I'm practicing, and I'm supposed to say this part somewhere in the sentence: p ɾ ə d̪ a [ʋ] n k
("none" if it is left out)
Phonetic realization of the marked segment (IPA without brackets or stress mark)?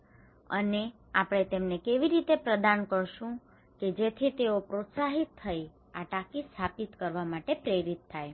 none